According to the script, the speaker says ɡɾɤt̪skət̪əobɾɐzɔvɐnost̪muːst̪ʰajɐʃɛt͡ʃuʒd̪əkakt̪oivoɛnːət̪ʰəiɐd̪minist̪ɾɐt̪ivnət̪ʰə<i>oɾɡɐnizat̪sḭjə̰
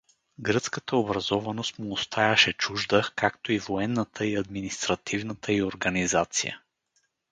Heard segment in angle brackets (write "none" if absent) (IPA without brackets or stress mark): i